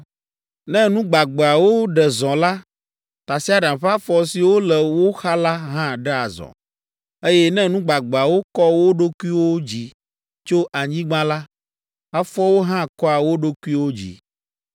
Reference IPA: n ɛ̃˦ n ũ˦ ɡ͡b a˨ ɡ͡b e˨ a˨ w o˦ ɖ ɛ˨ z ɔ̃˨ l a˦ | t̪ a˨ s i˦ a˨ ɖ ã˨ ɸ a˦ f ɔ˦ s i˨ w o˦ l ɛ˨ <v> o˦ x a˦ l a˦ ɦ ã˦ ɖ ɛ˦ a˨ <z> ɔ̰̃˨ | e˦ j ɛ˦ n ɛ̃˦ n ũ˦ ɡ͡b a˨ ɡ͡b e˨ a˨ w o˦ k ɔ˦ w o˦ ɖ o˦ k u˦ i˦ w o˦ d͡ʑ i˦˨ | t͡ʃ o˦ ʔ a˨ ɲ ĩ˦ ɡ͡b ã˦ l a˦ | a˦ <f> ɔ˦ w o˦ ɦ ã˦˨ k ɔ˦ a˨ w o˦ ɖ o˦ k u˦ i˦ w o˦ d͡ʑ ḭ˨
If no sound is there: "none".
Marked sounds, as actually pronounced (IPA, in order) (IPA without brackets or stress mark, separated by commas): w, z, f